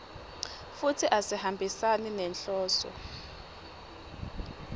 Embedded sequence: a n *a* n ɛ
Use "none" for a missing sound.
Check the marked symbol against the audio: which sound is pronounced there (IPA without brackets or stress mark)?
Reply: i